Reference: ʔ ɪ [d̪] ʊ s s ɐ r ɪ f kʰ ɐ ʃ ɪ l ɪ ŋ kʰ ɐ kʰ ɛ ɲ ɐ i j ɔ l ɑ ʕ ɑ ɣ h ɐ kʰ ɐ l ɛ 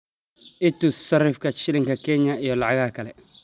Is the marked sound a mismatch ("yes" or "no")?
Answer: yes